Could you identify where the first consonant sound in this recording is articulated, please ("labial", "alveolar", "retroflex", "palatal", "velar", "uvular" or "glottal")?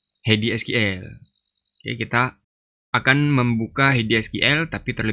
glottal